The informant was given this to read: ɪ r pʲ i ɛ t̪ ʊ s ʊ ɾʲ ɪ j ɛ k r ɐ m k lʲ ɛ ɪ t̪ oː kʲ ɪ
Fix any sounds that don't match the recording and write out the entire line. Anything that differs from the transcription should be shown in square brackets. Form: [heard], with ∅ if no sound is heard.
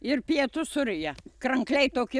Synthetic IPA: ɪ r pʲ i ɛ t̪ ʊ s ʊ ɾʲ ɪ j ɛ k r ɐ [ŋ] k lʲ ɛ ɪ t̪ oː kʲ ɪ